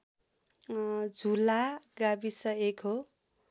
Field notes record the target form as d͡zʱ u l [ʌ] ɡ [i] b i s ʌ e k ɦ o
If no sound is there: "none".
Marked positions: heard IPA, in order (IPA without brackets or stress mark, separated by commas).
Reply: a, a